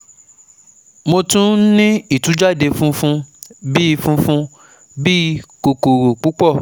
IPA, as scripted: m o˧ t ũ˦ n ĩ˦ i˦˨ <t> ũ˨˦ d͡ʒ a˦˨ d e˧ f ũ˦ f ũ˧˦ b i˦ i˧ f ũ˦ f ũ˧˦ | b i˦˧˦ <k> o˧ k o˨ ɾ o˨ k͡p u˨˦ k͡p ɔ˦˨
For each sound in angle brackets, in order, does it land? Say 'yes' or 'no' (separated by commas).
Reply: yes, yes